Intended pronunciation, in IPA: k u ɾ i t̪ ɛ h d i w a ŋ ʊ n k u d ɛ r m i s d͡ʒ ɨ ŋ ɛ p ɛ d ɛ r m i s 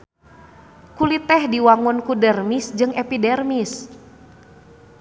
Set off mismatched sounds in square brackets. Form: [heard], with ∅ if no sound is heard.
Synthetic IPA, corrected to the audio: k u [l] i t̪ ɛ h d i w a ŋ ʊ n k u d ɛ r m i s d͡ʒ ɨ ŋ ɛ p [i] d ɛ r m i s